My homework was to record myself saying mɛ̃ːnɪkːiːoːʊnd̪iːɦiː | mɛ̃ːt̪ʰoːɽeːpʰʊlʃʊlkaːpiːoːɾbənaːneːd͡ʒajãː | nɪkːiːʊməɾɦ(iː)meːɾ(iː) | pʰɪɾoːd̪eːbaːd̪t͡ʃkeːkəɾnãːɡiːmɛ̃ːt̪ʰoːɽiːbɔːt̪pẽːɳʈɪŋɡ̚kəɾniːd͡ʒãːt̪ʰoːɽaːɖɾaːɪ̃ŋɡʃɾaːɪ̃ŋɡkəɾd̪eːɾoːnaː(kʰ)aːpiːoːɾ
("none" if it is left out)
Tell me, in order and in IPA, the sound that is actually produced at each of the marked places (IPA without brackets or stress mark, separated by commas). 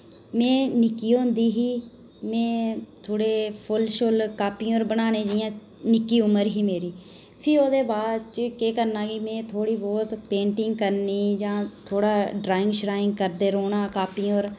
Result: iː, iː, k